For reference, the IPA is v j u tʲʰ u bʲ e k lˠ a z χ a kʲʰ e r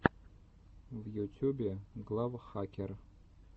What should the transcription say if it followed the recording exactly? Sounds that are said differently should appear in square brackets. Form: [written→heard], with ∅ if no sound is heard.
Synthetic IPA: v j u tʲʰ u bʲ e [k→ɡ] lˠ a [z→v] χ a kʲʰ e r